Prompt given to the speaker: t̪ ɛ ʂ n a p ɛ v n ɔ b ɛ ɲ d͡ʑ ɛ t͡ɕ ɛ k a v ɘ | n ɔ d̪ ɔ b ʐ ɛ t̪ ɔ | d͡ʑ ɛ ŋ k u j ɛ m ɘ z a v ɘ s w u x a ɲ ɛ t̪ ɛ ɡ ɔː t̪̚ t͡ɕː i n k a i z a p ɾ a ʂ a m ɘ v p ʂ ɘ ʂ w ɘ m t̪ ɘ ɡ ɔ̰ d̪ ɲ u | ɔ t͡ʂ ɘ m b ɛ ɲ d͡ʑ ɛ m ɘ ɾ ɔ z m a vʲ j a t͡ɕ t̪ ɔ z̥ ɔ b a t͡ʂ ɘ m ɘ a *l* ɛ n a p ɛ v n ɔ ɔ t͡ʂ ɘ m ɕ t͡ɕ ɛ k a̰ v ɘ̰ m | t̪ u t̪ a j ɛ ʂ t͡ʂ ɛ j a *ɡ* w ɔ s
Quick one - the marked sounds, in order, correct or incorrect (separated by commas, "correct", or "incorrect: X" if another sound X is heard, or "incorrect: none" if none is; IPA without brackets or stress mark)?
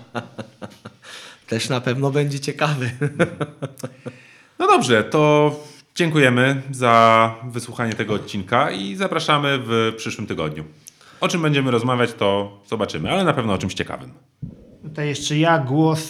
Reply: correct, correct